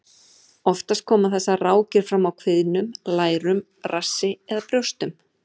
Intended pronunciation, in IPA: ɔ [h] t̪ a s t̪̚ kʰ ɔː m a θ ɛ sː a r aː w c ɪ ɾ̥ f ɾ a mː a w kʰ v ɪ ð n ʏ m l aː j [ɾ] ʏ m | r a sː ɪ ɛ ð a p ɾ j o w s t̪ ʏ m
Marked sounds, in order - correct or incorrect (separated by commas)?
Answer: incorrect, correct